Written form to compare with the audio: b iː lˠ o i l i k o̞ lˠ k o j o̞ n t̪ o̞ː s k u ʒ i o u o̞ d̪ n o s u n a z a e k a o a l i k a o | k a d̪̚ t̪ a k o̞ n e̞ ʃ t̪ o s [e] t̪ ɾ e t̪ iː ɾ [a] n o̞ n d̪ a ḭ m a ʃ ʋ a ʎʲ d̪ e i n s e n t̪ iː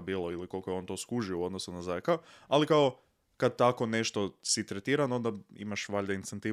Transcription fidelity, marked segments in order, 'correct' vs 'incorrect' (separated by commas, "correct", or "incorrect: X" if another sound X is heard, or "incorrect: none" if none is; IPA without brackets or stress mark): incorrect: i, correct